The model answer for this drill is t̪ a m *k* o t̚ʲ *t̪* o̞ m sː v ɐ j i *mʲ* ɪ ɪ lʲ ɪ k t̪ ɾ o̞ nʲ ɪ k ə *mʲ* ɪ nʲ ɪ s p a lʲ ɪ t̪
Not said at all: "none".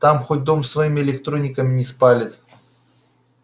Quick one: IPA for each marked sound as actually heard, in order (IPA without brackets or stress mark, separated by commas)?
x, d̪, mʲ, mʲ